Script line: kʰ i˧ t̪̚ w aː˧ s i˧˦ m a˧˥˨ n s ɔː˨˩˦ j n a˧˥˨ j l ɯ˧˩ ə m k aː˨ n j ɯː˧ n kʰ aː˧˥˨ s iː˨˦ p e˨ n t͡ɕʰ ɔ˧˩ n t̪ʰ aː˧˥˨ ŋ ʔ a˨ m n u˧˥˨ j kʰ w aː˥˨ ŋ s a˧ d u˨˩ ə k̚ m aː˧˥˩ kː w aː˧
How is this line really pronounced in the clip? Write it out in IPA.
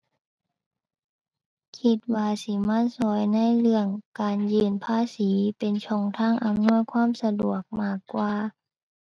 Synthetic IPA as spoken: kʰ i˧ t̪̚ w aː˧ s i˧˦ m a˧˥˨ n s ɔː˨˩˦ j n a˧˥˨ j l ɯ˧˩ ə ŋ k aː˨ n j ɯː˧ n pʰ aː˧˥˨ s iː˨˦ p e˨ n t͡ɕʰ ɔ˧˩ ŋ t̪ʰ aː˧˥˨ ŋ ʔ a˨ m n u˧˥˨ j kʰ w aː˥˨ m s a˧ d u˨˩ ə k̚ m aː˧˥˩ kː w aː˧